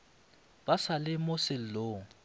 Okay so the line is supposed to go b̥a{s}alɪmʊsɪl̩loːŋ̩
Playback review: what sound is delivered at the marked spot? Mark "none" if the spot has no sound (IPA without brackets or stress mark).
s